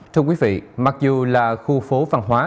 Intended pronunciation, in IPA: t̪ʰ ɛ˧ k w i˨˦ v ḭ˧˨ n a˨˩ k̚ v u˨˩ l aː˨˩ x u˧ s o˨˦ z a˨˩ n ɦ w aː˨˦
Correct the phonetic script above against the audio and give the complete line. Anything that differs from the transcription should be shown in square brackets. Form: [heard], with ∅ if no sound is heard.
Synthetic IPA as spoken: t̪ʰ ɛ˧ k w i˨˦ v ḭ˧˨ [m] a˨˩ k̚ [z] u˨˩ l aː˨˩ x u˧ [f] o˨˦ [v] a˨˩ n ɦ w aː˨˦